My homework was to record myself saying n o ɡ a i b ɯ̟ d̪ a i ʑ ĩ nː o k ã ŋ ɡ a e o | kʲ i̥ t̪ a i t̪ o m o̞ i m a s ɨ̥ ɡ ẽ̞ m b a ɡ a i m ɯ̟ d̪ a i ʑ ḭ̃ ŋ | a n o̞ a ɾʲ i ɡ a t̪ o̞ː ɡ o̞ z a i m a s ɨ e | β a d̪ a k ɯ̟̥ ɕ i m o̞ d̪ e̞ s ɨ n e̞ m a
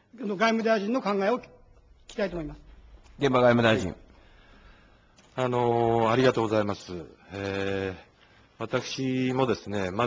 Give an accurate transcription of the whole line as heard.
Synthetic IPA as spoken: n o ɡ a i m ɯ̟ d̪ a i ʑ ĩ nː o k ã ŋ ɡ a e o | kʲ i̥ t̪ a i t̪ o m o̞ i m a s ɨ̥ ɡ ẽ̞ m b a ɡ a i m ɯ̟ d̪ a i ʑ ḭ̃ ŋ | a n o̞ a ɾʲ i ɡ a t̪ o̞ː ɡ o̞ z a i m a s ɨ e | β a t̪ a k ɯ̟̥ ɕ i m o̞ d̪ e̞ s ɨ n e̞ m a